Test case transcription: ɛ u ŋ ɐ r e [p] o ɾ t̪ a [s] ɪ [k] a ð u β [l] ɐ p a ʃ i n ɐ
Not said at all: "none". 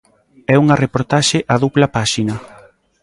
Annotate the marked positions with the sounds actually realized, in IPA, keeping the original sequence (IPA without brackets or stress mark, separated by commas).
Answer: p, ʃ, ʔ, l